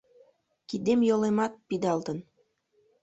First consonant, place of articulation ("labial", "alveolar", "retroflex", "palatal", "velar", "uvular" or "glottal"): velar